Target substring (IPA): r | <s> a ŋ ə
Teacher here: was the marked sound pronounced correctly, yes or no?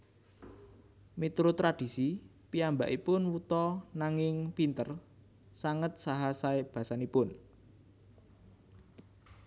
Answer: yes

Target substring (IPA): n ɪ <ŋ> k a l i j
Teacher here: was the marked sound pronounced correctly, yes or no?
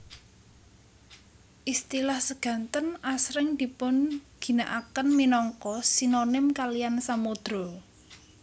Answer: no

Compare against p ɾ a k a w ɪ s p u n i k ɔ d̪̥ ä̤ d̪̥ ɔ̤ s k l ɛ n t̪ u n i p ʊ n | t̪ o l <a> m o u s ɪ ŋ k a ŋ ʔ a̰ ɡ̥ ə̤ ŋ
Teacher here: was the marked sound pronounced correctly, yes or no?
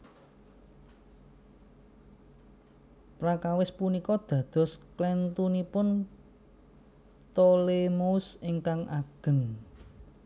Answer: no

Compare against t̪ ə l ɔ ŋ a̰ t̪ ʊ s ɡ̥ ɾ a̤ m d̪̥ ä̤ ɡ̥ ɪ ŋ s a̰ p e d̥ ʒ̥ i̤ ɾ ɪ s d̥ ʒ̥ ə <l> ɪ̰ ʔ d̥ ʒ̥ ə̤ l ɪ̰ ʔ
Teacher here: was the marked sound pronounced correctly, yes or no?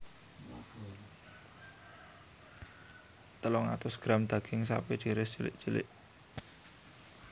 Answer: yes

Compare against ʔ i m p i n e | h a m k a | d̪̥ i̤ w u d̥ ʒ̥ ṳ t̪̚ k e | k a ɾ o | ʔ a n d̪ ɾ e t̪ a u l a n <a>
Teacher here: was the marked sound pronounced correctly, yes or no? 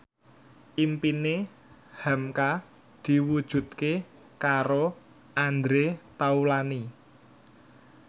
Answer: no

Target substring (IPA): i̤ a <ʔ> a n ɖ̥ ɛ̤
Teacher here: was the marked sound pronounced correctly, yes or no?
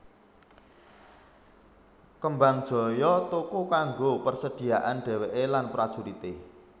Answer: yes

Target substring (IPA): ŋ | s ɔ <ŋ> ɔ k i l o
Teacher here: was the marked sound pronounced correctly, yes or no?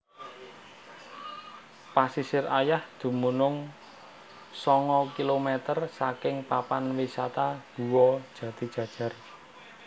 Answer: yes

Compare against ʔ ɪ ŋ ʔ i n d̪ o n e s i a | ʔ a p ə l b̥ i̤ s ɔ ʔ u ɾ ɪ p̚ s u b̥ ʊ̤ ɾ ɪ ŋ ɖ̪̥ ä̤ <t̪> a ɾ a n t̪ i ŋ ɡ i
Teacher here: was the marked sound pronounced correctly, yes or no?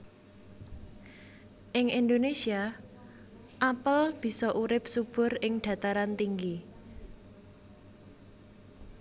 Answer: yes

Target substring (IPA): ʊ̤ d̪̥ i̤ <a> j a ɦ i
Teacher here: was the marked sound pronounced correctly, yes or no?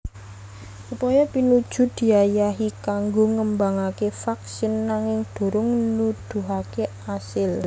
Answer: yes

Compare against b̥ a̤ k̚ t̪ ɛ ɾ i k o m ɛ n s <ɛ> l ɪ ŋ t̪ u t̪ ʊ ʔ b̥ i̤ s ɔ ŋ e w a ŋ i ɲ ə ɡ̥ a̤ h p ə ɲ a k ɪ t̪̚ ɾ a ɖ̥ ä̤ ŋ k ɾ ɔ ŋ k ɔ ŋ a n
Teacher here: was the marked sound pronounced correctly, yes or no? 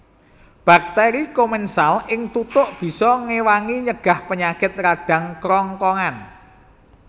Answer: no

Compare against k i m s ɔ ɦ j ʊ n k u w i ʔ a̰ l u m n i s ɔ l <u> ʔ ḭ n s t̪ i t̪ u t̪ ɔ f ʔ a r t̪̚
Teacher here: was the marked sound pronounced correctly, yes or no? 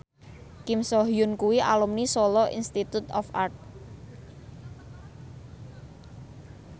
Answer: no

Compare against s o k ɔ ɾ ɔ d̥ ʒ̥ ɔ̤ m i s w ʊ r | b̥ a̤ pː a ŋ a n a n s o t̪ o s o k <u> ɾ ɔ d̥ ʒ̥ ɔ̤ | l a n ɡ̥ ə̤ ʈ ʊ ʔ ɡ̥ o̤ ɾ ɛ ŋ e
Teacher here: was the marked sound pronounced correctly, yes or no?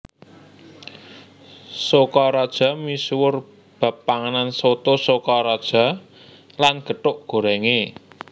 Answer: no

